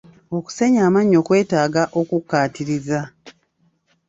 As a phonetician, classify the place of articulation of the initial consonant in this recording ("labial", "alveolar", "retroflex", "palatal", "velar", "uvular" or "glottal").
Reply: velar